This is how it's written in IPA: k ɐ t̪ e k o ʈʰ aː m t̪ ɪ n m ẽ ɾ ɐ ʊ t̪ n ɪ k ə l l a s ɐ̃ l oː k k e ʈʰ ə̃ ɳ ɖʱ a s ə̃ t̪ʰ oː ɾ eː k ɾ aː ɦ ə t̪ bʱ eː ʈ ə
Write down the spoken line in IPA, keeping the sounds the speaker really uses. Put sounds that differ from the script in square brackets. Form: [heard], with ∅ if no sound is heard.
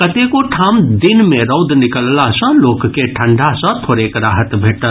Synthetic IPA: k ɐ t̪ e k o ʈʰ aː m [d̪] ɪ n m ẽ ɾ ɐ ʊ [d̪] n ɪ k ə l l a s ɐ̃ l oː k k e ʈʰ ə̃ ɳ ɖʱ a s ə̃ t̪ʰ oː ɾ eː k ɾ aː ɦ ə t̪ bʱ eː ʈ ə